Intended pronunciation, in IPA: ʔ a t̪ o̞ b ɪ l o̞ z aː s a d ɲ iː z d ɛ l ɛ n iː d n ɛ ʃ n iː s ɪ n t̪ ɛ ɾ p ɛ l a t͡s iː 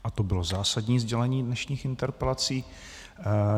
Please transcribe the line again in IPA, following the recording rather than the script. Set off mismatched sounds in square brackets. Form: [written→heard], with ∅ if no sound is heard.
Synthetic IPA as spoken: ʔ a t̪ o̞ b ɪ l o̞ z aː s a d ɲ iː z [d→ɟ] ɛ l ɛ [n→ɲ] iː d n ɛ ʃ [n→ɲ] iː [s→x] ɪ n t̪ ɛ ɾ p ɛ l a t͡s iː

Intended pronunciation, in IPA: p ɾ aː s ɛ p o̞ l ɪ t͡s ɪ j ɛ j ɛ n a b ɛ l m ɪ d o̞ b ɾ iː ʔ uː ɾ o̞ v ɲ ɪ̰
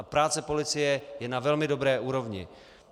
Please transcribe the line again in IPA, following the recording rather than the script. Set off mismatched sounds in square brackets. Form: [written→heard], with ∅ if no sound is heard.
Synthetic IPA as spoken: p ɾ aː [s→t͡s] ɛ p o̞ l ɪ t͡s ɪ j ɛ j ɛ n a [b→v] ɛ l m ɪ d o̞ b ɾ [iː→ɛː] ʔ uː ɾ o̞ v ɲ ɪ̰

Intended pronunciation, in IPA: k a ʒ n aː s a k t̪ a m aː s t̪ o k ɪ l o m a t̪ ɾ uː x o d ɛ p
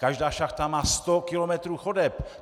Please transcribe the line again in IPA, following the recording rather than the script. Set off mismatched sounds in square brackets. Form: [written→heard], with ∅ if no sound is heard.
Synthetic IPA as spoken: k a ʒ [n→d] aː [s→ʃ] a [k→x] t̪ a m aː s t̪ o k ɪ l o m [a→ɛ] t̪ ɾ uː x o d ɛ p

